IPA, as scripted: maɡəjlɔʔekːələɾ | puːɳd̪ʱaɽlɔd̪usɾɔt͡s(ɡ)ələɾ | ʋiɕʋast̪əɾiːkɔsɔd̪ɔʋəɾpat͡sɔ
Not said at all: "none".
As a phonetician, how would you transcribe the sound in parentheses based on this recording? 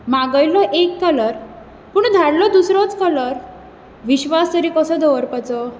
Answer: k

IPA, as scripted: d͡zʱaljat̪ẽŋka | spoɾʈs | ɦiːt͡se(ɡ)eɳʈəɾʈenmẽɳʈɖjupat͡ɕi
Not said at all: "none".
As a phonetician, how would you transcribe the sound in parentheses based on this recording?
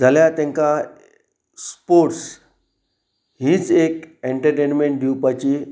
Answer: k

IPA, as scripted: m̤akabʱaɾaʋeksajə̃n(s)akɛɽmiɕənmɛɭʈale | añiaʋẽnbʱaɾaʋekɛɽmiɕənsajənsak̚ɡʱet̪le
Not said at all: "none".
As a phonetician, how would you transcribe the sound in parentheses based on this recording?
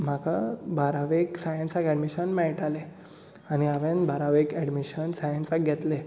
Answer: s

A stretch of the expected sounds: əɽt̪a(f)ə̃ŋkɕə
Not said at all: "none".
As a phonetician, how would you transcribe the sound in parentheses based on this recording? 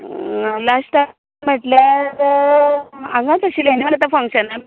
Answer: f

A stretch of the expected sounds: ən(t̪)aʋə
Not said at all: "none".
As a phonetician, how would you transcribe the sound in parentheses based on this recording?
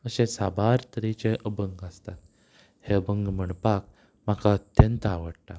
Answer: t̪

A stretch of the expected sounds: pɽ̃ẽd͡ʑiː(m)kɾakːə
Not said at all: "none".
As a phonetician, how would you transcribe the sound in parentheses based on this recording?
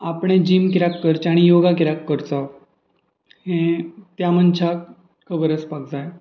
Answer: m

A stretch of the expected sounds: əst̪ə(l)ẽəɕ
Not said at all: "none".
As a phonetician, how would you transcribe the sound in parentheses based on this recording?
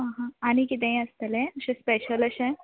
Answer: l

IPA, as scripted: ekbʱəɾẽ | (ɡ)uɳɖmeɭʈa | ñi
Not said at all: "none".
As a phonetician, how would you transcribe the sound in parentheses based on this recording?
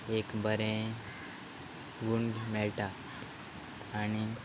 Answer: ɡ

